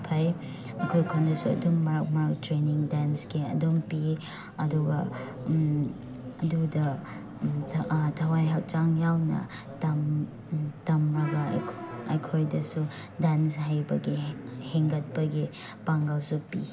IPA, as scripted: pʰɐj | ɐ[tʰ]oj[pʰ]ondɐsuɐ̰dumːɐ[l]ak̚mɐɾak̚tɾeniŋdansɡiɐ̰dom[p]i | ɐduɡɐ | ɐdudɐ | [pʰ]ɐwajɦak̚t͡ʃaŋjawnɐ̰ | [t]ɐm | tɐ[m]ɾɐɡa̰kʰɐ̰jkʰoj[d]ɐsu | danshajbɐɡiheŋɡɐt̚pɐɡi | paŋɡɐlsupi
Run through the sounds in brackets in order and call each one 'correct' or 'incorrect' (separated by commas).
incorrect, incorrect, incorrect, correct, incorrect, correct, correct, correct